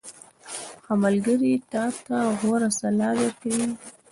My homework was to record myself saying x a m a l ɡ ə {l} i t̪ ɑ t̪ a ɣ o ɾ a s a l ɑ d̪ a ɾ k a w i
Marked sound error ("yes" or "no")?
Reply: yes